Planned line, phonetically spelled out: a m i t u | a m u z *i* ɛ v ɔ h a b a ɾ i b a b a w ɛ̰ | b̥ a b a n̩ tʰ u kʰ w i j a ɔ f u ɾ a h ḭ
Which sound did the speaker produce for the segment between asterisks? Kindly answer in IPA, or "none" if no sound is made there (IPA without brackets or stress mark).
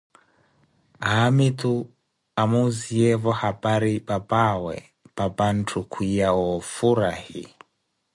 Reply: i